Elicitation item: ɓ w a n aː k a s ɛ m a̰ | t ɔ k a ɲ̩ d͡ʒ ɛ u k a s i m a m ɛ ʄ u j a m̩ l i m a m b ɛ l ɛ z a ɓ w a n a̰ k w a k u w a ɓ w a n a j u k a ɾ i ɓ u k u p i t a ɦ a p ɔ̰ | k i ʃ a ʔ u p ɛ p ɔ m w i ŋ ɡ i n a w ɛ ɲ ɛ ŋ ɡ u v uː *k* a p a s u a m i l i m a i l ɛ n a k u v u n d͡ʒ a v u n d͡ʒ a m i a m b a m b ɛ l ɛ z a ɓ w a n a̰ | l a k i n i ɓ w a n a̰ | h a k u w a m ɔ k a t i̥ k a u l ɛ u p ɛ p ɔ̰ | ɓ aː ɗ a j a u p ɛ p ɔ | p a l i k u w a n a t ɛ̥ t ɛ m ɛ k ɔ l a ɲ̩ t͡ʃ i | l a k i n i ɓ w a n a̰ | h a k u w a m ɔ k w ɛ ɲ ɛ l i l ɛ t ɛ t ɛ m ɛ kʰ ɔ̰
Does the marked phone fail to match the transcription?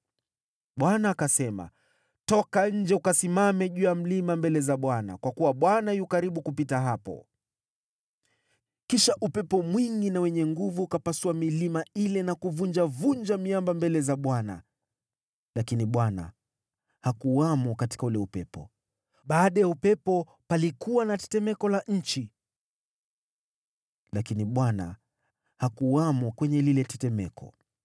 no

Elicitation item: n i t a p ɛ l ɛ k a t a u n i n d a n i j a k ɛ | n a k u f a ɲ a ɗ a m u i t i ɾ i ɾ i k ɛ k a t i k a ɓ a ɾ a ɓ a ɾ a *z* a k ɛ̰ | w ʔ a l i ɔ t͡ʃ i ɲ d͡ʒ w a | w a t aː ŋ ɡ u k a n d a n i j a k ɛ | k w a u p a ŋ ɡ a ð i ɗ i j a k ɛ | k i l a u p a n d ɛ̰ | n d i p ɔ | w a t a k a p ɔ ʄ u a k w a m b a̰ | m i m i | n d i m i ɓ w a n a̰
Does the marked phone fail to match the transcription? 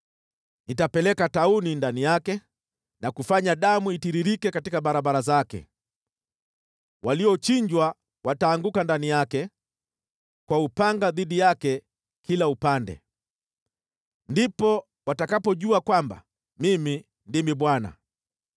no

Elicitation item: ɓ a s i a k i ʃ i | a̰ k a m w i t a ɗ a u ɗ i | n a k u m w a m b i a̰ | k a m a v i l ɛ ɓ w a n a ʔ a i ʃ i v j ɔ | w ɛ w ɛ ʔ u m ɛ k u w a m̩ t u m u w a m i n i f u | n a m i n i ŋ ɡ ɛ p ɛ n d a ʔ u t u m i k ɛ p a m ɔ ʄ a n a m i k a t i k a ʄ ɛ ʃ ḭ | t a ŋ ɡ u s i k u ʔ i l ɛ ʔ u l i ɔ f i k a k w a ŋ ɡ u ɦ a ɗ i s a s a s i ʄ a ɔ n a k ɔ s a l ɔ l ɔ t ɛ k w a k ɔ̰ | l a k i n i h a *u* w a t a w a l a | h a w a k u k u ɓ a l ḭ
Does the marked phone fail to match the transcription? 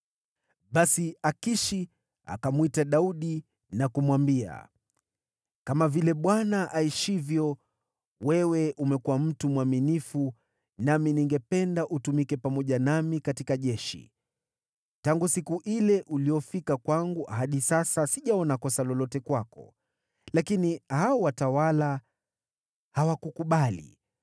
yes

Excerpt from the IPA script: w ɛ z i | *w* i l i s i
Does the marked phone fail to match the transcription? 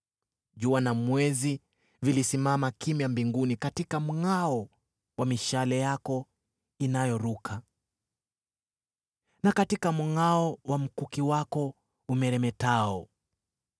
yes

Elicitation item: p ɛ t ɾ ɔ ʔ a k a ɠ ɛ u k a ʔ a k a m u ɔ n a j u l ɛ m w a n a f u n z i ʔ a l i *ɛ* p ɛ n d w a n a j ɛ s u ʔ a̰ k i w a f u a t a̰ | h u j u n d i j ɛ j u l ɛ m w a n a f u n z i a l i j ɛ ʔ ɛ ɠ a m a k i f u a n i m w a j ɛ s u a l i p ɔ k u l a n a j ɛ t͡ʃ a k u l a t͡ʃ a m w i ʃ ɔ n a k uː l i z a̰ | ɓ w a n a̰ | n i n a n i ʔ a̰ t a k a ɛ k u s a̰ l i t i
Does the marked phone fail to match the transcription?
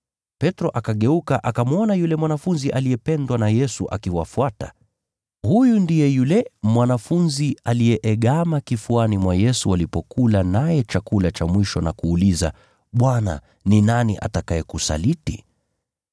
no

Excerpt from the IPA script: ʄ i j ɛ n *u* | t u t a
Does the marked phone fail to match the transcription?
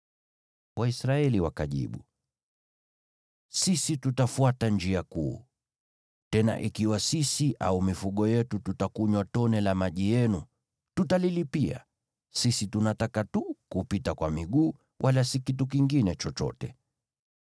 no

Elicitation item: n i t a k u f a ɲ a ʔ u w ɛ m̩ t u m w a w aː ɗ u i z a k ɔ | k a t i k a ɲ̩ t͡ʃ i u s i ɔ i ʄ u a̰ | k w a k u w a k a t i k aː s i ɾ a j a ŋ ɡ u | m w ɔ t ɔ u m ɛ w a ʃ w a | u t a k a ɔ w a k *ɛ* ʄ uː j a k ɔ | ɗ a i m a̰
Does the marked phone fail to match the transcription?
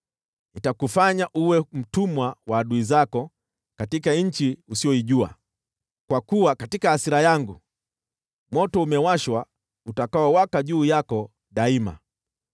yes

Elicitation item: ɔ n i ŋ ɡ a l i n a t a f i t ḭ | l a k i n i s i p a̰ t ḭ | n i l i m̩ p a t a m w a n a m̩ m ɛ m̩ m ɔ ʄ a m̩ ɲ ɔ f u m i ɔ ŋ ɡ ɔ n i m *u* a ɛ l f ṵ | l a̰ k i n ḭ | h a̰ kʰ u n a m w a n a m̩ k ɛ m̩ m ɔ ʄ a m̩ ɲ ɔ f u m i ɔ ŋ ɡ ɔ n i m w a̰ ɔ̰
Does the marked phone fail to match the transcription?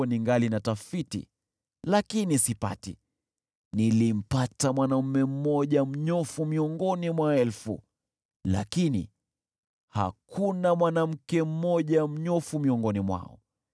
yes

